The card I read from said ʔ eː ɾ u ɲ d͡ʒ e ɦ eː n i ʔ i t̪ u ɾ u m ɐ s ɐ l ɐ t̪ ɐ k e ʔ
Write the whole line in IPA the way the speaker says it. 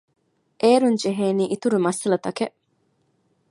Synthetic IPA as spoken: ʔ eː ɾ u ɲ d͡ʒ e ɦ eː n iː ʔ i t̪ u ɾ u m ɐ s ɐ l ɐ t̪ ɐ k e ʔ